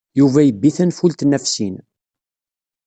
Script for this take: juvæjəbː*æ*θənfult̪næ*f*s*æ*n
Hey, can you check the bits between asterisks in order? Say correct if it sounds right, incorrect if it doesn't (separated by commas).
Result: incorrect, correct, incorrect